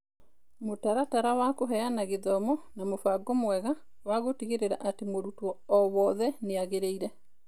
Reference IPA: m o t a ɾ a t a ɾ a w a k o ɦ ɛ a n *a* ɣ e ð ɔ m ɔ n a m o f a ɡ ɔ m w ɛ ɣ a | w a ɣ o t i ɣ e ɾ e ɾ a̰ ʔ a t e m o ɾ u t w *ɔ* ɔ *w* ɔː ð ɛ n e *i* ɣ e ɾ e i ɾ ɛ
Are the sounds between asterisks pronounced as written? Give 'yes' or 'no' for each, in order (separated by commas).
yes, yes, yes, no